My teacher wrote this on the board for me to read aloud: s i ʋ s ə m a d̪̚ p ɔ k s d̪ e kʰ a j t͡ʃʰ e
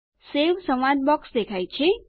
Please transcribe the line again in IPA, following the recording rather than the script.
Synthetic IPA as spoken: s e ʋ s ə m a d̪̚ b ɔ k s d̪ e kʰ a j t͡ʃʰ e